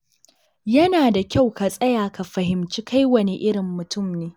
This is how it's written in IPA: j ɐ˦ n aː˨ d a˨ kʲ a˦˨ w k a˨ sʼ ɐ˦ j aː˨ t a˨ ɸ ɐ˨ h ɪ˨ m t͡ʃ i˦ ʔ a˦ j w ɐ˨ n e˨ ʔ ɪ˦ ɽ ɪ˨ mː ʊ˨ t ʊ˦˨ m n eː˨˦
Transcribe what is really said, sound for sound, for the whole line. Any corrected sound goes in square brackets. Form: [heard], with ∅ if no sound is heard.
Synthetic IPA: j ɐ˦ n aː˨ d a˨ kʲ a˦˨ w k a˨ sʼ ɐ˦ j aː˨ [k] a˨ ɸ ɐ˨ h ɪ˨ m t͡ʃ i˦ [k] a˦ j w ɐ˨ n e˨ ʔ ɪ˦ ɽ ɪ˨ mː ʊ˨ t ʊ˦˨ m n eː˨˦